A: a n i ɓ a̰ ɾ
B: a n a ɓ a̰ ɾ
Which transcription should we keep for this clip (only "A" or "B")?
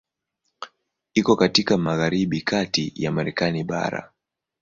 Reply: A